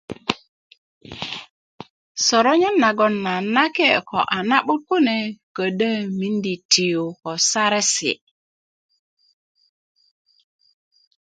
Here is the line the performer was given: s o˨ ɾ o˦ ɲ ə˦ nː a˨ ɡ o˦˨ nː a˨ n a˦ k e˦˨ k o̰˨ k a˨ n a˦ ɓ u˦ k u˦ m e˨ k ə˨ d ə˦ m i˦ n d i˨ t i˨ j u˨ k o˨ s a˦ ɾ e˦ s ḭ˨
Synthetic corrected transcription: s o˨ ɾ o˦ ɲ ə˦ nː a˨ ɡ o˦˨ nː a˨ n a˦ k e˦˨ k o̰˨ ʔ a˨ n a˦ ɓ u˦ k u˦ n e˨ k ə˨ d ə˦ m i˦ n d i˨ t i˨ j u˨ k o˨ s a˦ ɾ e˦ s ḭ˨